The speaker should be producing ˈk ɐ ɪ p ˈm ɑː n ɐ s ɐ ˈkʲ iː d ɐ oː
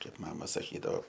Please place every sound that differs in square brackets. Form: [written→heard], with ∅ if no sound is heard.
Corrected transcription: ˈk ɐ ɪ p ˈm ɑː [n→m] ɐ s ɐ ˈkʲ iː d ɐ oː